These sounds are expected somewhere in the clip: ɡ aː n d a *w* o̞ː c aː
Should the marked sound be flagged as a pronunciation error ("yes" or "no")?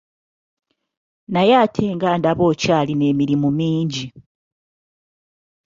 yes